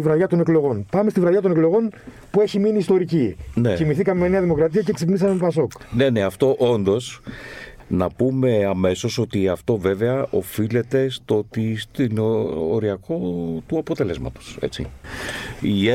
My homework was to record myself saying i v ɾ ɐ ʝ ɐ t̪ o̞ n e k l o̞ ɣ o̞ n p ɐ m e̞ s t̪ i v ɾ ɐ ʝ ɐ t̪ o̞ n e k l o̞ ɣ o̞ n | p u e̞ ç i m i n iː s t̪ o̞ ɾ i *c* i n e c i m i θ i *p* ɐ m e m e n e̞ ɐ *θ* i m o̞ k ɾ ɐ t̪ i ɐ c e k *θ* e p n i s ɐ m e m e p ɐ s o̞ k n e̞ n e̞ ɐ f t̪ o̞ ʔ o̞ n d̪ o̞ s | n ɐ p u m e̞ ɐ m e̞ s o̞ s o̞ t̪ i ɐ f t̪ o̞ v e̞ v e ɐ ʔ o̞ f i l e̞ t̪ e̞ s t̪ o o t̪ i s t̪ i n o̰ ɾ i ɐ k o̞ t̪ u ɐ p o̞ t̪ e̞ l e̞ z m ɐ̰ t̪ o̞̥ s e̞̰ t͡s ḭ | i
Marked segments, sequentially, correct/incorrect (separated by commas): correct, incorrect, incorrect, incorrect